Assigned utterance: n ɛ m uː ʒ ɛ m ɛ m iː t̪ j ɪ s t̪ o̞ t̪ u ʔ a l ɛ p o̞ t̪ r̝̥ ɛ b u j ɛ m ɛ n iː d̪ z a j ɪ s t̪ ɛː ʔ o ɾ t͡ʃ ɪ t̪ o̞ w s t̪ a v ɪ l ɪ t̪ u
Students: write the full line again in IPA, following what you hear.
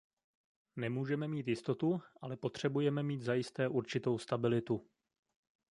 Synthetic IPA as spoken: n ɛ m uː ʒ ɛ m ɛ m iː t̪ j ɪ s t̪ o̞ t̪ u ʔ a l ɛ p o̞ t̪ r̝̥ ɛ b u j ɛ m ɛ m iː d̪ z a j ɪ s t̪ ɛː ʔ u ɾ t͡ʃ ɪ t̪ o̞ w s t̪ a b ɪ l ɪ t̪ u